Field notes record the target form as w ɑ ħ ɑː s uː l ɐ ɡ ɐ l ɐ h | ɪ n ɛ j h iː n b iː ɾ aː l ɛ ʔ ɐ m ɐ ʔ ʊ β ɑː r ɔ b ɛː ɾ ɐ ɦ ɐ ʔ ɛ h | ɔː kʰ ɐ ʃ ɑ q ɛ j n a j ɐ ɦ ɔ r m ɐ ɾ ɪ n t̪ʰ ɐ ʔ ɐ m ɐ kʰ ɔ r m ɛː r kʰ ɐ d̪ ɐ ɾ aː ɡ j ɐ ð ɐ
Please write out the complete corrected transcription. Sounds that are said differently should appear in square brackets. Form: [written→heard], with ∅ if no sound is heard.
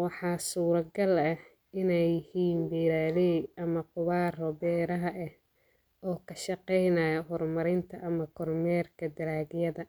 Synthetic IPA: w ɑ ħ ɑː s uː [l→ɾ] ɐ ɡ ɐ l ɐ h | ɪ n ɛ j h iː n b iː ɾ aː l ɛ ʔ ɐ m ɐ [ʔ→q] ʊ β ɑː r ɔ b ɛː ɾ ɐ ɦ ɐ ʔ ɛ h | ɔː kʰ ɐ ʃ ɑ q ɛ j n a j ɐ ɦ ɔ r m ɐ ɾ ɪ n t̪ʰ ɐ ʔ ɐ m ɐ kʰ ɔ r m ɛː r kʰ ɐ d̪ ɐ ɾ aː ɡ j ɐ ð ɐ